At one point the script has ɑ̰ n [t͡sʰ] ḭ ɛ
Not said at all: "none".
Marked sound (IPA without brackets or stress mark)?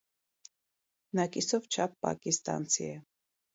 t͡sʰ